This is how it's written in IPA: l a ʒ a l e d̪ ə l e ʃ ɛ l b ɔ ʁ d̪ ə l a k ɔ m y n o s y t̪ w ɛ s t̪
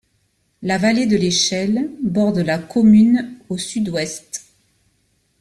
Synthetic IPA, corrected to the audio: l a v a l e d̪ ə l e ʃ ɛ l b ɔ ʁ d̪ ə l a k ɔ m y n o s y d̪ w ɛ s t̪